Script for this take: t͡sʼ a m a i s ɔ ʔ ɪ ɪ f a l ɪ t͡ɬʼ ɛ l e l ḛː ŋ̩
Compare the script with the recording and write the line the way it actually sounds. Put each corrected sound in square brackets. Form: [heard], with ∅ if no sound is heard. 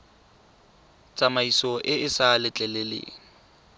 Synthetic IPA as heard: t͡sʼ a m a i s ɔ ʔ ɪ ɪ [s] a l ɪ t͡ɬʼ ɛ l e l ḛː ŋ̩